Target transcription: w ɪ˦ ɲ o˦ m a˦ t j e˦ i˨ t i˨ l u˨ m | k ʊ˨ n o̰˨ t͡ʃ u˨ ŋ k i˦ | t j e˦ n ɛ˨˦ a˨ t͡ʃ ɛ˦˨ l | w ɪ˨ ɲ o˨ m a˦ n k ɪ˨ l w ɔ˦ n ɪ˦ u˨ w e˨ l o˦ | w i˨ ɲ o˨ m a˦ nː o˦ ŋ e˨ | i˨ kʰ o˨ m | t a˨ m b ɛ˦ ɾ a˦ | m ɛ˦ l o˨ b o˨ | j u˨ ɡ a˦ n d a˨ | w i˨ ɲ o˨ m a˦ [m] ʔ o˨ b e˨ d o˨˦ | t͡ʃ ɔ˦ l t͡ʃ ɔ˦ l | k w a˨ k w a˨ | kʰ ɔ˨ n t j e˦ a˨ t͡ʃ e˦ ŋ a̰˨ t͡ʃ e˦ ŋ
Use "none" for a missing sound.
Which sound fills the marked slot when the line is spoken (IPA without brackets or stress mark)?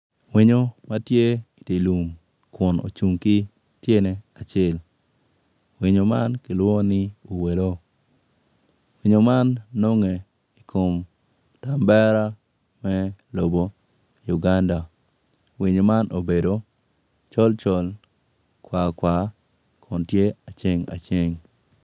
n